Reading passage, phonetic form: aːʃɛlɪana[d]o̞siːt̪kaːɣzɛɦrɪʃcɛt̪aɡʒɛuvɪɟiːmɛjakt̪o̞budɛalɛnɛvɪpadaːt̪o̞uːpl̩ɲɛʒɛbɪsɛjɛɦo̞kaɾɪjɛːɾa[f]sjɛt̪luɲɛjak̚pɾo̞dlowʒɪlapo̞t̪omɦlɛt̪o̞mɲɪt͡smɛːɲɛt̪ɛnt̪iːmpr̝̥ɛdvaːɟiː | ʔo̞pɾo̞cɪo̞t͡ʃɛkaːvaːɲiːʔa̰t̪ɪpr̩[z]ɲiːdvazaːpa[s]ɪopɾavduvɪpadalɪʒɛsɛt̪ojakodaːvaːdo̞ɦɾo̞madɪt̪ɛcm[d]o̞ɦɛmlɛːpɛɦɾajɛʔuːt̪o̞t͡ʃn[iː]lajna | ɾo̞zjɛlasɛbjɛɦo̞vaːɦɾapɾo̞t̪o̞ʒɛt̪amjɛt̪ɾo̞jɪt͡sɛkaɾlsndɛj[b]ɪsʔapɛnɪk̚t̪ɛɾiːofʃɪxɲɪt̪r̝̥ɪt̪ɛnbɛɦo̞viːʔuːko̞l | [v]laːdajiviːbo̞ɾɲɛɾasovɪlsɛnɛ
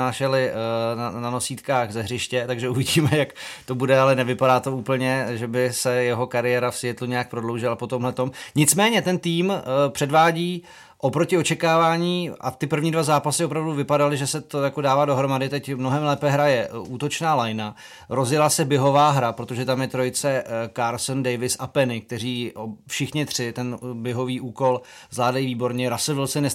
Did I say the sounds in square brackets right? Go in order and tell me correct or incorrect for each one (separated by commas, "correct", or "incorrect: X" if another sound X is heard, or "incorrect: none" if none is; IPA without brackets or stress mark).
incorrect: n, correct, incorrect: v, correct, incorrect: n, incorrect: aː, incorrect: v, incorrect: z